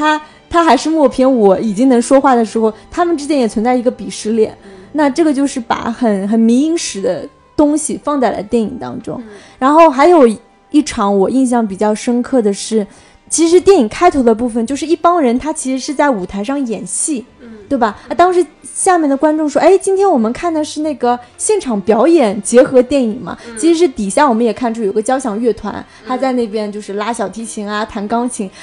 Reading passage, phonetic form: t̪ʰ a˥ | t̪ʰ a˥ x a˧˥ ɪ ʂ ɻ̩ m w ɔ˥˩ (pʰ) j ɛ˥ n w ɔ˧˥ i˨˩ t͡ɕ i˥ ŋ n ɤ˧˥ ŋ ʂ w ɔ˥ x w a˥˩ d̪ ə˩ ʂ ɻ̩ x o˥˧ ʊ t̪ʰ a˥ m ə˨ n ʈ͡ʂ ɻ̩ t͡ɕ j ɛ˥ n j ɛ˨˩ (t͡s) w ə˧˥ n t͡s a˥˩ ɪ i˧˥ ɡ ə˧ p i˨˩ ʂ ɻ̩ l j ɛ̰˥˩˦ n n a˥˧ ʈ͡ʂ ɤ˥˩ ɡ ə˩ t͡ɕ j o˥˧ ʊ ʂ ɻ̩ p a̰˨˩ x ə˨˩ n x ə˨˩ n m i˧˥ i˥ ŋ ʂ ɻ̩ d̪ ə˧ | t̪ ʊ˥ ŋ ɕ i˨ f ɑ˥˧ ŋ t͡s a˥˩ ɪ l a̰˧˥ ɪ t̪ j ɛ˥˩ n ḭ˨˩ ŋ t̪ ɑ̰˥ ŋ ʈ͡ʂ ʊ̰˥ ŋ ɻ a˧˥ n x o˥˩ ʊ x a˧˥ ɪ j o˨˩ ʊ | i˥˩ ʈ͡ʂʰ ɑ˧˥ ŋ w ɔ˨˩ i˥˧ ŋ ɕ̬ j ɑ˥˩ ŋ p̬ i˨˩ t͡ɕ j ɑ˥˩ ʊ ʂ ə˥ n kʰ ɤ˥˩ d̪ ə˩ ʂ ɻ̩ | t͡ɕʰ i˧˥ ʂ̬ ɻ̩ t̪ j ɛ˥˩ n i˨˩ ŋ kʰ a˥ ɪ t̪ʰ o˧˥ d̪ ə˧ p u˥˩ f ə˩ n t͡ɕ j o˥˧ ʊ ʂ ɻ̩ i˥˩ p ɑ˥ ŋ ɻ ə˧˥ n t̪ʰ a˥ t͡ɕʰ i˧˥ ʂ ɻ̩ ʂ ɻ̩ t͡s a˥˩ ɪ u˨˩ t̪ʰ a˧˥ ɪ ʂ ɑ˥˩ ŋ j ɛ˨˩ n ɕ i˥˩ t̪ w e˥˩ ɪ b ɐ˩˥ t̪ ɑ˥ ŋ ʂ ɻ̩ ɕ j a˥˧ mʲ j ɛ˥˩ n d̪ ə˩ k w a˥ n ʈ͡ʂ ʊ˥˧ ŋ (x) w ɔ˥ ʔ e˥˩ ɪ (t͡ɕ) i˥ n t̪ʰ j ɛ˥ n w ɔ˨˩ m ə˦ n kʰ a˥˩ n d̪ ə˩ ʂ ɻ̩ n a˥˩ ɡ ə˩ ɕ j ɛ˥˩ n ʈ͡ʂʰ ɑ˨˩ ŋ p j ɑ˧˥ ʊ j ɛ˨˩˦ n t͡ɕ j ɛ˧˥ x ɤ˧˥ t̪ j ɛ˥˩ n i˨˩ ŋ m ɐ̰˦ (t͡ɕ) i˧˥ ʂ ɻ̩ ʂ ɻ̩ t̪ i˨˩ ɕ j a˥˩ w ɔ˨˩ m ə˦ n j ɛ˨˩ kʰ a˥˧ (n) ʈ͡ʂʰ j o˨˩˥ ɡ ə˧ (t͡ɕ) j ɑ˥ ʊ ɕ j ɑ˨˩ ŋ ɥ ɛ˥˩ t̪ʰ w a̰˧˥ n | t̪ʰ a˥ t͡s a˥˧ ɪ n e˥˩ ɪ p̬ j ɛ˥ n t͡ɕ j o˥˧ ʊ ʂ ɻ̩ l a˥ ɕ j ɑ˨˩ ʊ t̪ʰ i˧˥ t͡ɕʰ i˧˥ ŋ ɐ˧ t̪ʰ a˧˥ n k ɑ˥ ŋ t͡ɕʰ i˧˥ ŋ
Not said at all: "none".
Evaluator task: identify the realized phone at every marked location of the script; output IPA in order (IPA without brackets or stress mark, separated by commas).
pʰ, t͡sʰ, ʂ, t͡ɕ, t͡ɕʰ, n, t͡ɕ